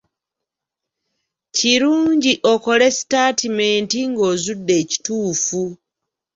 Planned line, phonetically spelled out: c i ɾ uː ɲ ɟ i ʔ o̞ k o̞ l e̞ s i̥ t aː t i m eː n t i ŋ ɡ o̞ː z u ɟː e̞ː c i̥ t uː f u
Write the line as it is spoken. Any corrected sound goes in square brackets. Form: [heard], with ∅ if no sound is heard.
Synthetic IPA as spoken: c i ɾ uː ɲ ɟ i ʔ o̞ k o̞ l e̞ s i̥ t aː t i m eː n t i ŋ ɡ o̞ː z u [dː] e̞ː c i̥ t uː f u